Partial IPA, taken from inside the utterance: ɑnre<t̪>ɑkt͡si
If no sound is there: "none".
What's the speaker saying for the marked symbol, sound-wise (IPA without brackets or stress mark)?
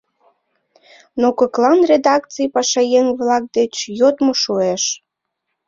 d̪